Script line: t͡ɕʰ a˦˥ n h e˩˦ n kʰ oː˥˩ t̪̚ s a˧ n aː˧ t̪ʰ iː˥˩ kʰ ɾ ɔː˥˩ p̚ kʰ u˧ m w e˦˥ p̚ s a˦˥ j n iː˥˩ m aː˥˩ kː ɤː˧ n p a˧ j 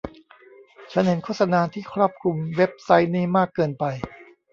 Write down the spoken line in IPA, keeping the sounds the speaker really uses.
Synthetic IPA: t͡ɕʰ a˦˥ n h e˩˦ n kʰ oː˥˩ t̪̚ s a˧ n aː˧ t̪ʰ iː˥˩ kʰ ɾ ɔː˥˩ p̚ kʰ u˧ m w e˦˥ p̚ s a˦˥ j n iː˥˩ m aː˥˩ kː ɤː˧ n p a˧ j